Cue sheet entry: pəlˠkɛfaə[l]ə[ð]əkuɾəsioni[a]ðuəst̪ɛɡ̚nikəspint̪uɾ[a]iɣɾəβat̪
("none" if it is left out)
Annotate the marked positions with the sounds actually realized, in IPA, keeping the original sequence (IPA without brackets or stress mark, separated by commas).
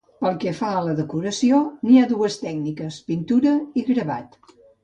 l, ð, a, ə